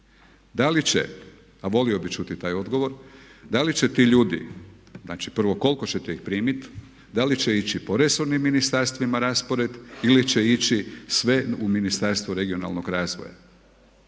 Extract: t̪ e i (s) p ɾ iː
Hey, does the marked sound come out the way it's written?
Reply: no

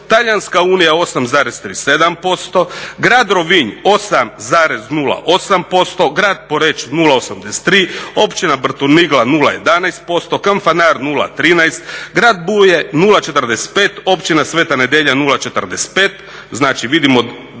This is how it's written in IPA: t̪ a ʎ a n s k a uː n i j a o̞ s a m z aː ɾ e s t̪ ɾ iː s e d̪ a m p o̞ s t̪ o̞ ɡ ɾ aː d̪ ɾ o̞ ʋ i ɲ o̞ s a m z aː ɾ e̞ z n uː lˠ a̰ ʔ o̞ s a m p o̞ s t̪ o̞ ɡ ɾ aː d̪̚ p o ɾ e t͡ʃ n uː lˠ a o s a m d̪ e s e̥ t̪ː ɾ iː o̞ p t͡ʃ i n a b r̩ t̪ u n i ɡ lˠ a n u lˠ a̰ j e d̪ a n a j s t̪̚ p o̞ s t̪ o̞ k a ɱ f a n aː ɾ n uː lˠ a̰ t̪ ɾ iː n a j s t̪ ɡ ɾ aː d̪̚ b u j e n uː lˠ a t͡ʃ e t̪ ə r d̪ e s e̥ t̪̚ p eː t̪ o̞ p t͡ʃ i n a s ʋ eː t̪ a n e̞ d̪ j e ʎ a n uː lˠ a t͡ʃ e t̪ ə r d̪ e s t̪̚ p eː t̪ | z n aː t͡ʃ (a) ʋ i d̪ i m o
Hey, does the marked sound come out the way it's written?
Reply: no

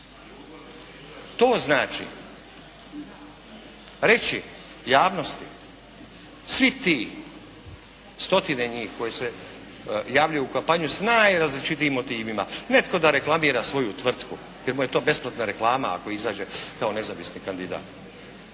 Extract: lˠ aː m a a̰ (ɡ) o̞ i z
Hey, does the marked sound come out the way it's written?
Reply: no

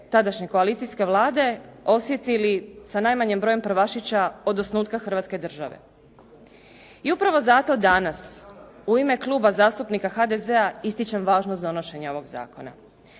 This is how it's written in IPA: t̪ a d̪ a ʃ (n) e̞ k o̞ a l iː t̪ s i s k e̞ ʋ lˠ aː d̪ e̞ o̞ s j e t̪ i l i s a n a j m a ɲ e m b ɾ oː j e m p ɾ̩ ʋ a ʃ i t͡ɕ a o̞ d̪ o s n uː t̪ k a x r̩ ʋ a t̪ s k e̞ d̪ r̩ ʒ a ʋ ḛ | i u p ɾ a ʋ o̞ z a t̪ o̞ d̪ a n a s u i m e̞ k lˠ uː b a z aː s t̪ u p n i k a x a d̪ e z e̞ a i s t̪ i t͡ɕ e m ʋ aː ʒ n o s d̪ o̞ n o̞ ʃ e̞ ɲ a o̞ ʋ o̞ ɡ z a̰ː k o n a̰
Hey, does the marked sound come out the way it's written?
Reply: no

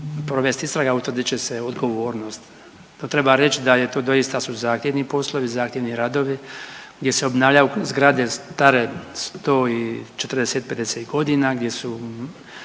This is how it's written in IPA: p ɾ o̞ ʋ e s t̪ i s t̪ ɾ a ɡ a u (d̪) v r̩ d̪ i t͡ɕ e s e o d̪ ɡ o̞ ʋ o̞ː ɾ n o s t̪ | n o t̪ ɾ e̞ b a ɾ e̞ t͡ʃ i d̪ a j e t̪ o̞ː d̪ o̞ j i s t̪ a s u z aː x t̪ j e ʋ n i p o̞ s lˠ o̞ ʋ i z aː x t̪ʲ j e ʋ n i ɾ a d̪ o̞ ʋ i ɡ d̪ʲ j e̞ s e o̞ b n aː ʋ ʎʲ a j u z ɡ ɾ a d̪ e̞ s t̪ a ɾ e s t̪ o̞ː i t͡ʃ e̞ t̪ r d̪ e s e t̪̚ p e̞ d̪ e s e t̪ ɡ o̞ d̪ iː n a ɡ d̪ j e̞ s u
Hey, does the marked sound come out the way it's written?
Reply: no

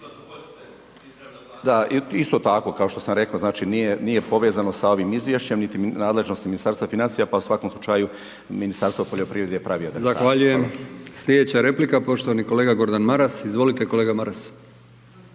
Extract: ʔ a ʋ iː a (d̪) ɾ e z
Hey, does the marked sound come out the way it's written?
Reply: yes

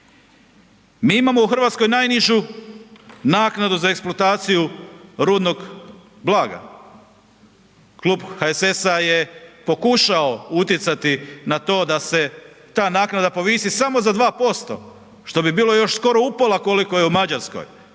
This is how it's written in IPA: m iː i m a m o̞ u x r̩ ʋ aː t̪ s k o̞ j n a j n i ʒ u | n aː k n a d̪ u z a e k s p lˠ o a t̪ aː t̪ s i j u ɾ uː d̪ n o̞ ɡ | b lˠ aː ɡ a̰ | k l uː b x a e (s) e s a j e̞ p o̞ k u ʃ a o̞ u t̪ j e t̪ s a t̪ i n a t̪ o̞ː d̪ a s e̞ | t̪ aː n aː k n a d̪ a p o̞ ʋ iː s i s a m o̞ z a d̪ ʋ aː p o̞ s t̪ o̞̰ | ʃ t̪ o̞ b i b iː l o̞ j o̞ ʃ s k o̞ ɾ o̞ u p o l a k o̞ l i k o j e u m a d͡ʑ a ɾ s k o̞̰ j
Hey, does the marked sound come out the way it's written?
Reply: yes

